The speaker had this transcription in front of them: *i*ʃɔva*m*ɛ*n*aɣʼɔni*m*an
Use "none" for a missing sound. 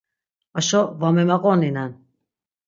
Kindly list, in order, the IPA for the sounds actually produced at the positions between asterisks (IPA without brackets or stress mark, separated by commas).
a, m, m, n